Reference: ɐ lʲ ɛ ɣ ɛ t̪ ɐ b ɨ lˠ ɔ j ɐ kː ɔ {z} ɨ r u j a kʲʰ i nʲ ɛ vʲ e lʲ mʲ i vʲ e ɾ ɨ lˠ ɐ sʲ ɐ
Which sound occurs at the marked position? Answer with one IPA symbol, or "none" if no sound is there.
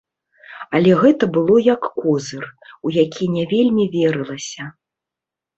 z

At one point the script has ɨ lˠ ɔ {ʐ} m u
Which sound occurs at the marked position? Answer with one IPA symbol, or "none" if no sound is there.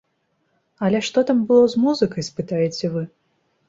z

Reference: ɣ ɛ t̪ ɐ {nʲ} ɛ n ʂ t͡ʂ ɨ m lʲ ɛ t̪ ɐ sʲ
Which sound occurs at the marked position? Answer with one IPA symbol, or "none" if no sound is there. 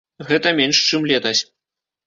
mʲ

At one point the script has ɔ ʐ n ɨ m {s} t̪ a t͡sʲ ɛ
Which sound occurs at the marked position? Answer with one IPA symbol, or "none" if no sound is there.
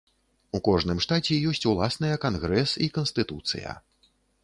ʂ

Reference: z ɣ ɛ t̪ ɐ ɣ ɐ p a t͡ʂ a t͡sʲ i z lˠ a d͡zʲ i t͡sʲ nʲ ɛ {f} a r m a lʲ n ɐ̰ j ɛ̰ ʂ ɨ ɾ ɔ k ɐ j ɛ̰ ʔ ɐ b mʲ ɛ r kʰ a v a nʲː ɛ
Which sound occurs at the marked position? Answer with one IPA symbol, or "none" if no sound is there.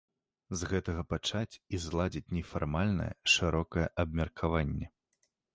f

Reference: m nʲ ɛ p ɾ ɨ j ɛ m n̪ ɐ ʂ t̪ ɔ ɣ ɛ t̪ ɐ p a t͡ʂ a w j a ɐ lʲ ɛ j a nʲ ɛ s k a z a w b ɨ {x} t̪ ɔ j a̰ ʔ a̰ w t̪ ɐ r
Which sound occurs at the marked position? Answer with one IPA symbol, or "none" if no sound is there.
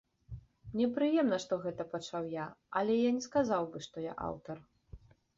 ʂ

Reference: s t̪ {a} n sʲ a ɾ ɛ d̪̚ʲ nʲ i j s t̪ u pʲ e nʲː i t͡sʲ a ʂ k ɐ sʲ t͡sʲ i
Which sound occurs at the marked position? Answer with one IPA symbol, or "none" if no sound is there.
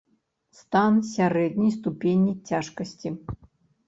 a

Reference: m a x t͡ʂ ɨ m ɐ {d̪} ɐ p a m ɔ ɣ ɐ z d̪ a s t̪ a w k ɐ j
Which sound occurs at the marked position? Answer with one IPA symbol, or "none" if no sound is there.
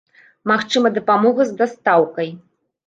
d̪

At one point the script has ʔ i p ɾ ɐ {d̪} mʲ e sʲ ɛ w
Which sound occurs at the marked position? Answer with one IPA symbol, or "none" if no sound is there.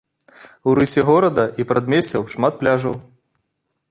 d̪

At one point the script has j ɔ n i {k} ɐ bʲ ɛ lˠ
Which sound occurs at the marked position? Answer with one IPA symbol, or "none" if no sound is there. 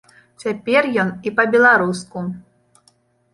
p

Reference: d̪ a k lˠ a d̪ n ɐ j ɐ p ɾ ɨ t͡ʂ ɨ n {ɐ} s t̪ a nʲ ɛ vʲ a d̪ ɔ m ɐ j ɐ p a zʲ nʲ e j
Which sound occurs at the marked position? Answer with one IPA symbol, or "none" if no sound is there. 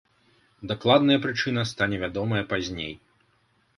ɐ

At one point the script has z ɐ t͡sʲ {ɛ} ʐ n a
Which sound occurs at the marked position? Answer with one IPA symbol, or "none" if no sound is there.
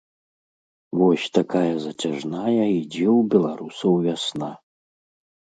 a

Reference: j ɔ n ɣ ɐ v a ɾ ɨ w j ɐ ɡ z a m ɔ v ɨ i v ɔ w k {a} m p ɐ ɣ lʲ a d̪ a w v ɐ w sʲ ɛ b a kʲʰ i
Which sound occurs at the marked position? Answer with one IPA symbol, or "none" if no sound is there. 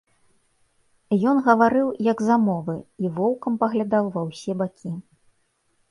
ɐ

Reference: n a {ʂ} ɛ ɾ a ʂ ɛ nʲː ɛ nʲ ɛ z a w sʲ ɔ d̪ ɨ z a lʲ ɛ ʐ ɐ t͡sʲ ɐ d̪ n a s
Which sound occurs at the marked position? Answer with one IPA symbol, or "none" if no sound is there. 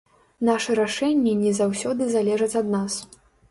ʂ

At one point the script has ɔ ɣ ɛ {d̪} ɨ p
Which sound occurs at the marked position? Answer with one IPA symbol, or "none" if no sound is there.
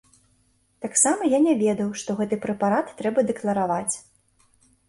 t̪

